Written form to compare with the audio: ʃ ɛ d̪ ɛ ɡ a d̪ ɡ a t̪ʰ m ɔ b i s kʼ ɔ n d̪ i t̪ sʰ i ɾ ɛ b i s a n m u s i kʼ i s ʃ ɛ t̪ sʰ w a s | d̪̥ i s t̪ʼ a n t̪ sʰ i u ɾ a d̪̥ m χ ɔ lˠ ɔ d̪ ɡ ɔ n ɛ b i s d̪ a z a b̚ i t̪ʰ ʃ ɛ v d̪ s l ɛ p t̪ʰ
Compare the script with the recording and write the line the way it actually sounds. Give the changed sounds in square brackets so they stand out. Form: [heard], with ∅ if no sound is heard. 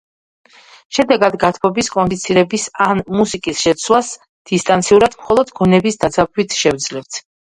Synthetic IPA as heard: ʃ ɛ d̪ ɛ ɡ a d̪ ɡ a t̪ʰ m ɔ b i s kʼ ɔ n d̪ i t̪ sʰ i ɾ ɛ b i s a n m u s i kʼ i s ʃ ɛ t̪ sʰ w a s | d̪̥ i s t̪ʼ a n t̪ sʰ i u ɾ a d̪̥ m χ ɔ lˠ ɔ d̪ ɡ ɔ n ɛ b i s d̪ a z a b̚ i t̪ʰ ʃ ɛ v d̪ [z] l ɛ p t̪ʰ